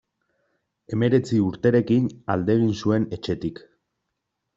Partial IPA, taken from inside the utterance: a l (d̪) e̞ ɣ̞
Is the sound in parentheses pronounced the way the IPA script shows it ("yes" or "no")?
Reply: yes